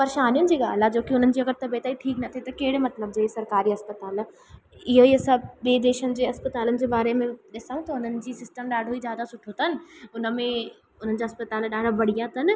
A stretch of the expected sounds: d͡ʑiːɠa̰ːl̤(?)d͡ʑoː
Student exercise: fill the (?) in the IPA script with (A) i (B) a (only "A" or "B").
B